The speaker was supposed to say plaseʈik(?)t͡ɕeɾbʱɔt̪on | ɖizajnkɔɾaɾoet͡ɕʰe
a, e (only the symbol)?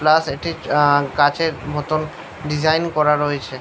a